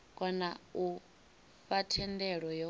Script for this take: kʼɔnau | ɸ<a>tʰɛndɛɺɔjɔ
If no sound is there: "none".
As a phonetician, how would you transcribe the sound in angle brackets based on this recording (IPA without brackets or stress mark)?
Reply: a